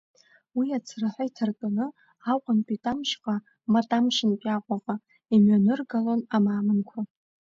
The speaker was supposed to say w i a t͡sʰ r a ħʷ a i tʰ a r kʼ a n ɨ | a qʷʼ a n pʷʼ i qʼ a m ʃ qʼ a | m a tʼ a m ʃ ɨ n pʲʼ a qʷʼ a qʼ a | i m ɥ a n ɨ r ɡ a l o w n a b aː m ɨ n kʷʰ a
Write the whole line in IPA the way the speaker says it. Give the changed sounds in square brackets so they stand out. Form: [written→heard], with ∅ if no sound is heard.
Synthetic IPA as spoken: w i a t͡sʰ r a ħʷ a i tʰ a r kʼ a n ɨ | a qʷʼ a n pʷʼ i [qʼ→tʼ] a m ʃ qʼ a | m a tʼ a m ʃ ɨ n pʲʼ a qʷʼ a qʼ a | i m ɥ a n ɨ r ɡ a l o [w→∅] n a [b→m] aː m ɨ n kʷʰ a